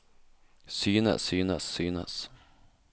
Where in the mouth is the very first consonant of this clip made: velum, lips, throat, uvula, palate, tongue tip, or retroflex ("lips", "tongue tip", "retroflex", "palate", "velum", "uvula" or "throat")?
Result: tongue tip